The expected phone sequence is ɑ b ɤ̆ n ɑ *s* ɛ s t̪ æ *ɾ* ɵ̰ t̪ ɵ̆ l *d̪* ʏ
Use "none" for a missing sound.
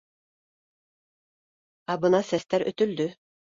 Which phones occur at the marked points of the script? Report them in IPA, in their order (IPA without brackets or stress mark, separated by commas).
s, ɾ, d̪